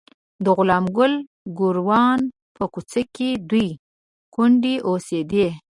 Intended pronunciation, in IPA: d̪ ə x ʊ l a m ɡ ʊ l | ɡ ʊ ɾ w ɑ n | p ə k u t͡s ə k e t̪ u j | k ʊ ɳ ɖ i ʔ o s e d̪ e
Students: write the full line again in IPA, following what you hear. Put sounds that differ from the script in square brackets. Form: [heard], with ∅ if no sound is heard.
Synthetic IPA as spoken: d̪ ə [ɣ] ʊ l [ɑ] m ɡ ʊ l | ɡ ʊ ɾ w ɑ n | p ə k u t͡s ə k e [d̪] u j | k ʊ ɳ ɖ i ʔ o s e d̪ e